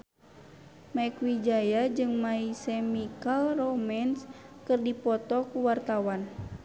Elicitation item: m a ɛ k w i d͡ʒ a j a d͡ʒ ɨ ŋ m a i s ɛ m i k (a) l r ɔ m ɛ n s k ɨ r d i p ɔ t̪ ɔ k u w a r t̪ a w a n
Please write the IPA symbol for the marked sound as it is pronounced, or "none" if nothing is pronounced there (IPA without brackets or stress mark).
a